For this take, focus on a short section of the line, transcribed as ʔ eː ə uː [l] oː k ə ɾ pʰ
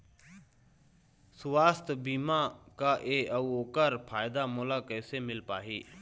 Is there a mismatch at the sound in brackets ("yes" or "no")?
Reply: yes